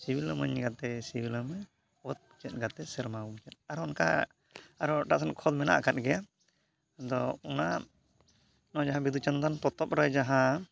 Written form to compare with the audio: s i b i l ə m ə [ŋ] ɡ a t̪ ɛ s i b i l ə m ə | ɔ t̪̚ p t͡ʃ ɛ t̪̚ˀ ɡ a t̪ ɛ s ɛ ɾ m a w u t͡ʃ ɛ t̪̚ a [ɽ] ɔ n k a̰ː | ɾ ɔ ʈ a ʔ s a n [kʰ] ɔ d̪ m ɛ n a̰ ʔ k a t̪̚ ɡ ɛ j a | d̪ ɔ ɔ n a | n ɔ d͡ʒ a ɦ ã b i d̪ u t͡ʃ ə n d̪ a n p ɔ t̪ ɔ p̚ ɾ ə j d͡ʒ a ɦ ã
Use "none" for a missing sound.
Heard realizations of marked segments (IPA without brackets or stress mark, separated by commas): ɲ, ɾ, kʰ